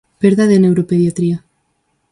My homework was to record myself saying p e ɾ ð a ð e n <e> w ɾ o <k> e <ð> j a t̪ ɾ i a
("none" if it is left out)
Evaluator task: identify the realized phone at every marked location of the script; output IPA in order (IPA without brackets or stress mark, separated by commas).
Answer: e, p, ð